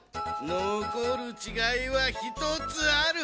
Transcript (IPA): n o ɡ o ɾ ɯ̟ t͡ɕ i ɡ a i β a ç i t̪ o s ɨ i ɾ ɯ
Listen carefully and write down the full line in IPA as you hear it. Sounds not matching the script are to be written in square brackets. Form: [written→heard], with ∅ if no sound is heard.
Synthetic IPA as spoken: n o [ɡ→k] o ɾ ɯ̟ t͡ɕ i ɡ a i β a ç i t̪ o [s→t͡s] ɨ [i→a] ɾ ɯ